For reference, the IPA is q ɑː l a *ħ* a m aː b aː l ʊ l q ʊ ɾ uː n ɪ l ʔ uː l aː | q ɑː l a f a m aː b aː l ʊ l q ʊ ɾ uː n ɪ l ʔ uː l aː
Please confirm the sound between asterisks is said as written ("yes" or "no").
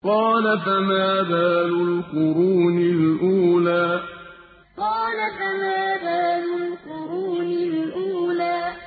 no